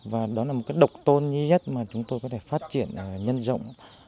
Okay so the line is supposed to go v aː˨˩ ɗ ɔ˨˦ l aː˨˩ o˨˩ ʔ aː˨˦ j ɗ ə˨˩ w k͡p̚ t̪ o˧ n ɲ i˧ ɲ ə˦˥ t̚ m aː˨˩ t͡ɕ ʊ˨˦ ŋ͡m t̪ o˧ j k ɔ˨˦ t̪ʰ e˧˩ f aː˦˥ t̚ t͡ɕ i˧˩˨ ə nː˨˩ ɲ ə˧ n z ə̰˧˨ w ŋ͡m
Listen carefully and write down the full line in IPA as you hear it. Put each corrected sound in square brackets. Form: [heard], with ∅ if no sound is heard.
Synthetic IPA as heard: v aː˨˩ ɗ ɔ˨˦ l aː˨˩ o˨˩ [k] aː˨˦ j ɗ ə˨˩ w k͡p̚ t̪ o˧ n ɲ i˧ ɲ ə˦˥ t̚ m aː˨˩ t͡ɕ ʊ˨˦ ŋ͡m t̪ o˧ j k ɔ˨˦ t̪ʰ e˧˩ f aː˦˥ t̚ t͡ɕ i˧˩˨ ə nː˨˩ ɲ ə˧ n z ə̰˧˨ w ŋ͡m